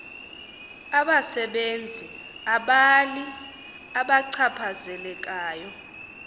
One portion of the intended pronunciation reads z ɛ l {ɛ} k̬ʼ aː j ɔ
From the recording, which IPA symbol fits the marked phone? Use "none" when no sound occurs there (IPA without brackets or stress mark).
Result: ɛ